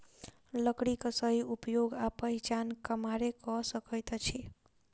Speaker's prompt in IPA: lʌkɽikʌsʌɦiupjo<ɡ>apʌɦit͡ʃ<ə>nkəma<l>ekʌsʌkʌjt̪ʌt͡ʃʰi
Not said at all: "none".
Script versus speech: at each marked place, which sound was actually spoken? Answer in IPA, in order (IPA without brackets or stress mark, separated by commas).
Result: ɡ, a, ɾ